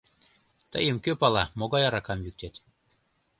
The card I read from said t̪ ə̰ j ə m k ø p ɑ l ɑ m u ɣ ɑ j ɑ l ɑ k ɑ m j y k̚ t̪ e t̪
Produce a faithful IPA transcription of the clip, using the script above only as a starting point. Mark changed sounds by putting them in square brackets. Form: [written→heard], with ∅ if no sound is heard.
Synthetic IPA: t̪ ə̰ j ə m k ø p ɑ l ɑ m [u→o] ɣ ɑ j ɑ [l→ɾ] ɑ k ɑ m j y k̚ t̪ e t̪